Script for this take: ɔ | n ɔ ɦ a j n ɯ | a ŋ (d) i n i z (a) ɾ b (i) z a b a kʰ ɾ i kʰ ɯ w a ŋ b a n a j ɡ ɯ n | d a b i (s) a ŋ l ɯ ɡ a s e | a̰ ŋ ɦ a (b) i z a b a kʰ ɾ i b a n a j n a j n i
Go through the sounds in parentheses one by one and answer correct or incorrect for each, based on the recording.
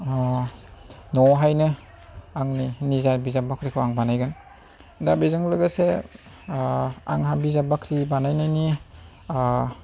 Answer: incorrect, correct, correct, incorrect, correct

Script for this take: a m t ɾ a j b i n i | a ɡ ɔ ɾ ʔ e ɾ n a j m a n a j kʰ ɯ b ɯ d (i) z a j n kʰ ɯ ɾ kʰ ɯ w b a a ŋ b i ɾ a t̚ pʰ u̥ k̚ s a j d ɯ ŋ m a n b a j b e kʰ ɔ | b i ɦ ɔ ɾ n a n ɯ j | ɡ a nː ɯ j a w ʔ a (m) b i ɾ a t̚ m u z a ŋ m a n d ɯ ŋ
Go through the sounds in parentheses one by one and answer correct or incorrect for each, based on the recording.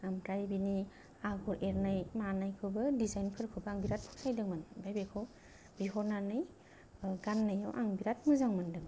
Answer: correct, incorrect

